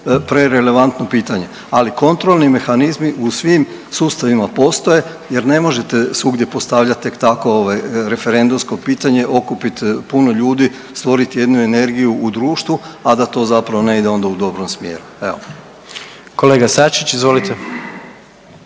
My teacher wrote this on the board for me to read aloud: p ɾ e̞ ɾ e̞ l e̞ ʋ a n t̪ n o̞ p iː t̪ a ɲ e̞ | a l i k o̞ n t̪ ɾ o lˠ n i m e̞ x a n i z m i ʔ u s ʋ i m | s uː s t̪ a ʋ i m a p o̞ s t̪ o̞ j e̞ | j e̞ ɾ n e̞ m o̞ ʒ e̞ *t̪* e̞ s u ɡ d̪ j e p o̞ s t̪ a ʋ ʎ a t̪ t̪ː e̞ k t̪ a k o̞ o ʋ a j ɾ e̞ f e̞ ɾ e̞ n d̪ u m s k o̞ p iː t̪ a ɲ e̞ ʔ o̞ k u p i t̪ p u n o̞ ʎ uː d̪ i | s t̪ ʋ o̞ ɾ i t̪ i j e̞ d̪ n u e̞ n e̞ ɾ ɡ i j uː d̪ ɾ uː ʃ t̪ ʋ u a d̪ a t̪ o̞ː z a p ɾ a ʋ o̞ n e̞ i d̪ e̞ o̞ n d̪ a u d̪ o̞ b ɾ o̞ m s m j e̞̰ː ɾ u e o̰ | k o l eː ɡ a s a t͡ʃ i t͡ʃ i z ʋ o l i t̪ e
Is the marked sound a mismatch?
no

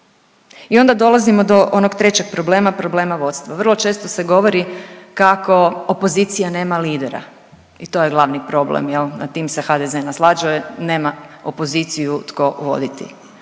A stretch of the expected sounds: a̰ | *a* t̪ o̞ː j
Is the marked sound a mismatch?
yes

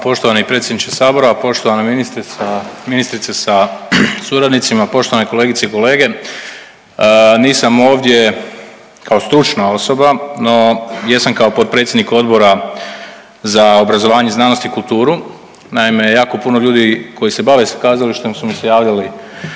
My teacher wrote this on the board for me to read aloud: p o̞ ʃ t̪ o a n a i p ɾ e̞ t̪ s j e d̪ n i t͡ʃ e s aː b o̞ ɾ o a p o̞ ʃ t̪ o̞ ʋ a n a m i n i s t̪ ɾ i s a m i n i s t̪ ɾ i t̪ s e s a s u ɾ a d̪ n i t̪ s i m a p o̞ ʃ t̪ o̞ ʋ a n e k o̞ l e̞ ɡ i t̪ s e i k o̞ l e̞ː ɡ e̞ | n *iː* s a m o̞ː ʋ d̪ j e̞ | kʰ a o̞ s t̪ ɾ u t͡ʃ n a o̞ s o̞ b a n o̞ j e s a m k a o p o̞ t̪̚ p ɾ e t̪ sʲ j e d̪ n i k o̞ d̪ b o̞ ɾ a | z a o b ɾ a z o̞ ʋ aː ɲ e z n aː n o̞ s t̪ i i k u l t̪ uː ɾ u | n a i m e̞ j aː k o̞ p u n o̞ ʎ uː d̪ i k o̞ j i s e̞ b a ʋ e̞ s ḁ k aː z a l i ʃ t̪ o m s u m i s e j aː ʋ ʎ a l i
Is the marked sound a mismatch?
no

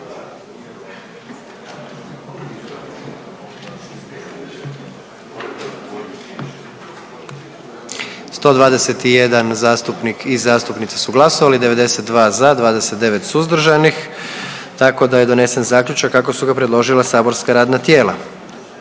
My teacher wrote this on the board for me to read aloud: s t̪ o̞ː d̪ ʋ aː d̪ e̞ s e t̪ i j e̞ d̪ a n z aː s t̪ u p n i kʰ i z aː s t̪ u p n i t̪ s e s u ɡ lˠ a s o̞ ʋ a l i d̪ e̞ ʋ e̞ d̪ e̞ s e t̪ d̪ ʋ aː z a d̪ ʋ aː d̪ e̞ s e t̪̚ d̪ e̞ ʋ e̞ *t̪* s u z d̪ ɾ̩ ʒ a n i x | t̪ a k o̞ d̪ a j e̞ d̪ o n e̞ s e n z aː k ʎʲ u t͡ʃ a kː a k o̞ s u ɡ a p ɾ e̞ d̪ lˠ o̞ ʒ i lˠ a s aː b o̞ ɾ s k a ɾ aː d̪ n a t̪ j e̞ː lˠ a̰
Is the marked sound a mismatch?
no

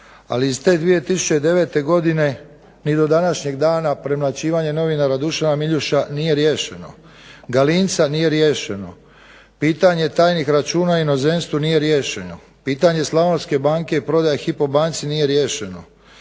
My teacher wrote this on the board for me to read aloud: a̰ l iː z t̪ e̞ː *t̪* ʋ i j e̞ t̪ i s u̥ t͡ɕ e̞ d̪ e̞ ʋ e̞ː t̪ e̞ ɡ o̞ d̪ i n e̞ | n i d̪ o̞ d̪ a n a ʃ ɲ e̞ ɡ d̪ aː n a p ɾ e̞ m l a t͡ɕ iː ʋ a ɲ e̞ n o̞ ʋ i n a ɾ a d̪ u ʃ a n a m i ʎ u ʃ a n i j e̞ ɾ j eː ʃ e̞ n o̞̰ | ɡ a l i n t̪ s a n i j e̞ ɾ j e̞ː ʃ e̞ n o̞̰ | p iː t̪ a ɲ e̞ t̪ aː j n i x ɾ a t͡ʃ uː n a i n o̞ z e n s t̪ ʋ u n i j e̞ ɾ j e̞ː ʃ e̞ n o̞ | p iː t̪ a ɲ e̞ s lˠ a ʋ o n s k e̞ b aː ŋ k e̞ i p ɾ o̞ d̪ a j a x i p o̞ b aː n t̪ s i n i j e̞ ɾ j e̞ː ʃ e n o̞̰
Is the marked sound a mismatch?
yes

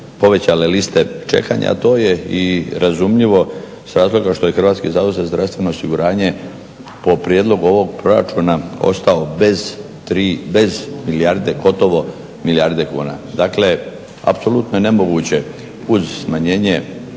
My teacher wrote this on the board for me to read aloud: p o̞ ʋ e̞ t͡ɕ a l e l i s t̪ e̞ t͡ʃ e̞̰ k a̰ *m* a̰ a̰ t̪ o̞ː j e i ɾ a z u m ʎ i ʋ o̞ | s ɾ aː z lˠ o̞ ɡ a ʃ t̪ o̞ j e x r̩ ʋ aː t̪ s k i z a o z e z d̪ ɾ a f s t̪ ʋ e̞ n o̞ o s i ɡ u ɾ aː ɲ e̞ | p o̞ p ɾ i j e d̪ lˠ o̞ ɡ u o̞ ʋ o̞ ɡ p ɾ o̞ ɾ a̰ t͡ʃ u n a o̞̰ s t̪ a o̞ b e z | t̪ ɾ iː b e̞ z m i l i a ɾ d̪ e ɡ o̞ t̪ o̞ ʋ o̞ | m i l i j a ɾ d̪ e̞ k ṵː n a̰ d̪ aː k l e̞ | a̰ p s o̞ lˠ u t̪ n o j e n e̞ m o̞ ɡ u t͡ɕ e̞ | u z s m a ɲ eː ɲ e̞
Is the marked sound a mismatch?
yes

